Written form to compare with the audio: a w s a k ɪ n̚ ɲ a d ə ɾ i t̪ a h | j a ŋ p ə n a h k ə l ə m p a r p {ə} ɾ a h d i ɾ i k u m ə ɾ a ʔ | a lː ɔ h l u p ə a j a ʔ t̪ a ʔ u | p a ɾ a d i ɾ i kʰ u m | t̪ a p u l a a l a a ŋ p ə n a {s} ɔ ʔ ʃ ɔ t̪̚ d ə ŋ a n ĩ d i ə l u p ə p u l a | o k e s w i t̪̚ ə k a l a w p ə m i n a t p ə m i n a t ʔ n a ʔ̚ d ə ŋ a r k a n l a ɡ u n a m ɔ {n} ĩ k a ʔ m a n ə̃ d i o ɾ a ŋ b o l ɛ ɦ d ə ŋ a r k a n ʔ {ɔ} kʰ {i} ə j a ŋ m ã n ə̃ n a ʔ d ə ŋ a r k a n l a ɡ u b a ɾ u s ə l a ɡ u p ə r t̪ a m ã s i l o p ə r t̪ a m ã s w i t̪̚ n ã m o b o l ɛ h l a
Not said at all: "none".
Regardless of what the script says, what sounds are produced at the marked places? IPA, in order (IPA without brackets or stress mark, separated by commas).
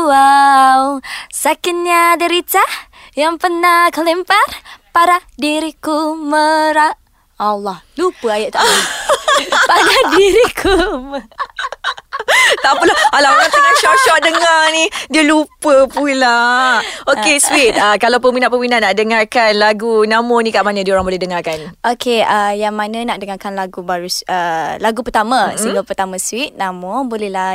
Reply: a, ʃ, n, o, e